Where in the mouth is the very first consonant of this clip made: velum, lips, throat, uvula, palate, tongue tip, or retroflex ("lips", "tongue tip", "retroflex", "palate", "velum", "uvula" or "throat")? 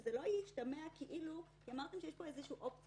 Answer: tongue tip